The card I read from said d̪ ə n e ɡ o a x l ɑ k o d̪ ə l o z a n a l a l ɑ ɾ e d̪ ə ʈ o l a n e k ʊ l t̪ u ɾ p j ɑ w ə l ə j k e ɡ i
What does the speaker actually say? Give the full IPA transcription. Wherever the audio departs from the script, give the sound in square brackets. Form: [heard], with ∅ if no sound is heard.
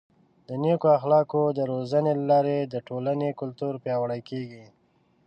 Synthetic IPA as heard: d̪ ə n e [k] o a x l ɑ k o d̪ ə [ɾ] o z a n [e] l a l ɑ ɾ e d̪ ə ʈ o l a n e k ʊ l t̪ u ɾ p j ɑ w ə [ɽ] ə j k e ɡ i